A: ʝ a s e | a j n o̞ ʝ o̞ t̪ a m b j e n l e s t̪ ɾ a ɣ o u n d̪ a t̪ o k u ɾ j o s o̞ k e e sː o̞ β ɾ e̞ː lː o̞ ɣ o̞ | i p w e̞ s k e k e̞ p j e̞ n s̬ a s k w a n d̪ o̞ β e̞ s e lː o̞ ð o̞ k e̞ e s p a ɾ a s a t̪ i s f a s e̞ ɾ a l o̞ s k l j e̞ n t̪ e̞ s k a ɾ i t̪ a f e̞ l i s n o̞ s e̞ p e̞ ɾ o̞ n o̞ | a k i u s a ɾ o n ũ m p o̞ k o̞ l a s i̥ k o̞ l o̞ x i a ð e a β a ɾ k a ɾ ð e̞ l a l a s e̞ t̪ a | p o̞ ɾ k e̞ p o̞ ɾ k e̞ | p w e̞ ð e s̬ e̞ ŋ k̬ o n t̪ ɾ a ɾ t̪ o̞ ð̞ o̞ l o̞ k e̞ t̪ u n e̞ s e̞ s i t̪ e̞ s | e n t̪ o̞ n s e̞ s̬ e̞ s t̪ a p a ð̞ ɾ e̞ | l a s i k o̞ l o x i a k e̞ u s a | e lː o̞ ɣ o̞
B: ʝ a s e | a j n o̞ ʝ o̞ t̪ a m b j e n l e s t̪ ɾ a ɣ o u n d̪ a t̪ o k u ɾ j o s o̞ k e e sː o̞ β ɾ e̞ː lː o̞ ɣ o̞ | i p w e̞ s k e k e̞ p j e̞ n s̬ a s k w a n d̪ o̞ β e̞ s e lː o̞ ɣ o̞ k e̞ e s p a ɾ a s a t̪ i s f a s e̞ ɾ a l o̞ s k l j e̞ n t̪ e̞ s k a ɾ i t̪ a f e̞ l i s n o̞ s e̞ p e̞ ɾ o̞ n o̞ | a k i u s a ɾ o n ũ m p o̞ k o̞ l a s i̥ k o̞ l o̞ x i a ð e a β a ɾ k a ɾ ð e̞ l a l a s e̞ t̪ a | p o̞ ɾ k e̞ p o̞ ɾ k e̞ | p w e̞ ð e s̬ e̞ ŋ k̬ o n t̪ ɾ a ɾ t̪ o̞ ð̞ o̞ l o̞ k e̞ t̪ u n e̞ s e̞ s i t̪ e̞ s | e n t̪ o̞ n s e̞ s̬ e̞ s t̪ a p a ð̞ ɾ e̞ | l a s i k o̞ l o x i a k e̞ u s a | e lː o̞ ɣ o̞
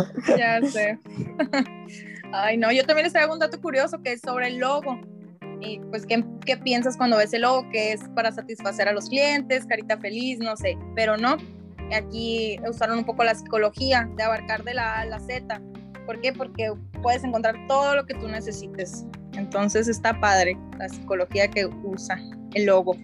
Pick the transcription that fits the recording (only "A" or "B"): B